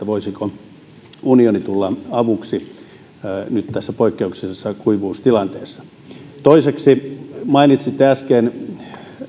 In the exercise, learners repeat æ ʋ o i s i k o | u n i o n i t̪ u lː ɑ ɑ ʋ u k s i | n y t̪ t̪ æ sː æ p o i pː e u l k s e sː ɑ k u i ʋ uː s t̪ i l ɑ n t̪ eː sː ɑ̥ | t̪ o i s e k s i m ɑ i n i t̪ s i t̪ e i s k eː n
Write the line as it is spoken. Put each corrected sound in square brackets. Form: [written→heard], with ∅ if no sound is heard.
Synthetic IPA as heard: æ ʋ o i s i k o | u n i o n i t̪ u lː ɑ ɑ ʋ u k s i | n y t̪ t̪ æ sː æ p o i [pː→kː] e u [l→∅] k s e sː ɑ k u i ʋ uː s t̪ i l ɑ n t̪ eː sː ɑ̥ | t̪ o i s e k s i m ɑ i n i t̪ s i t̪ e [i→æ] s k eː n

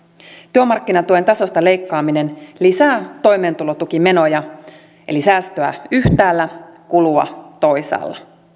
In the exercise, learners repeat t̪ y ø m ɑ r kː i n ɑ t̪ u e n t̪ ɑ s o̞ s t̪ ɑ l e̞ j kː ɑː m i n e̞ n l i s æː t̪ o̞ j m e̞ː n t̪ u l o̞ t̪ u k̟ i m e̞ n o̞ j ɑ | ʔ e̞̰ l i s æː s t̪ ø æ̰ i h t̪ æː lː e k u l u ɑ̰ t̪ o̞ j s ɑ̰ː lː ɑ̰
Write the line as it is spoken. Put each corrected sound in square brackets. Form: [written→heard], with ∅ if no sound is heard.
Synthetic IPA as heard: t̪ y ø m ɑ r kː i n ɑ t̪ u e n t̪ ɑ s o̞ s t̪ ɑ l e̞ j kː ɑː m i n e̞ n l i s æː t̪ o̞ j m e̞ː n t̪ u l o̞ t̪ u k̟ i m e̞ n o̞ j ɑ | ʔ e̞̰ l i s æː s t̪ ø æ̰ [i→y] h t̪ æː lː [e→æ] k u l u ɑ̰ t̪ o̞ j s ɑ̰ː lː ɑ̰

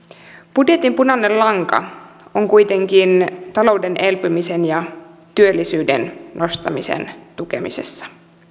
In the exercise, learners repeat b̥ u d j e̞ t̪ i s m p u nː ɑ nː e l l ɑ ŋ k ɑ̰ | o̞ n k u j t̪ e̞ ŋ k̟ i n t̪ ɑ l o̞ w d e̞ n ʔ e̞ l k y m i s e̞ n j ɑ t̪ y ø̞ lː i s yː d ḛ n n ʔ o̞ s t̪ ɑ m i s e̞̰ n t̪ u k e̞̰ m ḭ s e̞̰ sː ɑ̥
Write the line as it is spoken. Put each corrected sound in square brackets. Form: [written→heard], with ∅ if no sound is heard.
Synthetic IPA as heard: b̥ u d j e̞ t̪ i [s→∅] m p u [nː→n] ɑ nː e l l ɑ ŋ k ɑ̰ | o̞ [n→ŋ] k u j t̪ e̞ ŋ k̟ i n t̪ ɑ l o̞ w d e̞ n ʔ e̞ l [k→p] y m i s e̞ n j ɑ t̪ y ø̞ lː i s yː d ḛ n n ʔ o̞ s t̪ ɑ m i s e̞̰ n t̪ u k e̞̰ m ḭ s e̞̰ sː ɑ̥

